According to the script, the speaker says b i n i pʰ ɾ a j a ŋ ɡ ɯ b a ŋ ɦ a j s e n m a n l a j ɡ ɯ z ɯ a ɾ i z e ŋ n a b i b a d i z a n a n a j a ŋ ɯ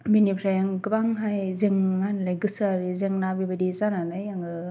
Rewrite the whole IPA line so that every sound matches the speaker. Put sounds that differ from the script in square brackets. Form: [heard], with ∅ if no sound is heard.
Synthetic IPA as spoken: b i n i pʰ ɾ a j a ŋ ɡ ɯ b a ŋ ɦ a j [z] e [ŋ] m a n l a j ɡ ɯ [s] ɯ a ɾ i z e ŋ n a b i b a d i z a n a n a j a ŋ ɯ

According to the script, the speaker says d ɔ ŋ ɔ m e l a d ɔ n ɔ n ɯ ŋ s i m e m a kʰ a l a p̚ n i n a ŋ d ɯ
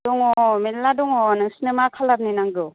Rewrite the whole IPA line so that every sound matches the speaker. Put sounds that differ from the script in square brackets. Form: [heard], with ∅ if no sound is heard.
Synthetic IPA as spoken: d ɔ ŋ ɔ m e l a d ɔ [ŋ] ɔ n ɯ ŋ s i [n] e m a kʰ a l a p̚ n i n a ŋ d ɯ

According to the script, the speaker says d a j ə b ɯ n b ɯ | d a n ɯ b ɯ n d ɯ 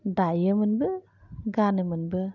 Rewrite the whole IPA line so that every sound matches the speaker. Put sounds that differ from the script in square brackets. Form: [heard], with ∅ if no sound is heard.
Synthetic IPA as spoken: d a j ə [m] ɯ n b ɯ | [ɡ] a n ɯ [m] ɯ n [b] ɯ

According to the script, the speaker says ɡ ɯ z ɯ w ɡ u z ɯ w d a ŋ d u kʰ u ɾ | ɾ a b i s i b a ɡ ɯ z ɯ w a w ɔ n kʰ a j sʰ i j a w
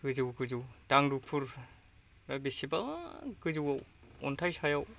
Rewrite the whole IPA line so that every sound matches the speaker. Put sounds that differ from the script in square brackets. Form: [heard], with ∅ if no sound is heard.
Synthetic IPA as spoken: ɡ ɯ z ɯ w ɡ [ɯ] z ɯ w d a ŋ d u [pʰ] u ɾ | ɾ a b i s i b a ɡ ɯ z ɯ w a w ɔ n [tʰ] a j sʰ [a] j a w

